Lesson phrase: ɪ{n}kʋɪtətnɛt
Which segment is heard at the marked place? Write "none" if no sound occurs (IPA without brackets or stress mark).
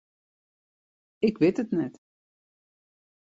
none